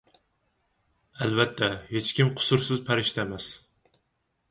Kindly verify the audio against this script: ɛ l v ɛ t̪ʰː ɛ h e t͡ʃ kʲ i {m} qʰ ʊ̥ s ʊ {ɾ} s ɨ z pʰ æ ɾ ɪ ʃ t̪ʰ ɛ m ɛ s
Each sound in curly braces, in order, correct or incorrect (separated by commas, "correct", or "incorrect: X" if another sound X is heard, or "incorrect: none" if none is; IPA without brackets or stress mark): correct, correct